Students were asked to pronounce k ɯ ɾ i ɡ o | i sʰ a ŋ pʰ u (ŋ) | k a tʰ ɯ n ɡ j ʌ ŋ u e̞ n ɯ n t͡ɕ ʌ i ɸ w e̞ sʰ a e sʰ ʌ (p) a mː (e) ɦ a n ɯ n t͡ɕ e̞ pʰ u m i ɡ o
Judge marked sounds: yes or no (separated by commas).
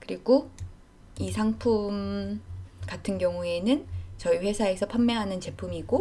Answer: no, no, yes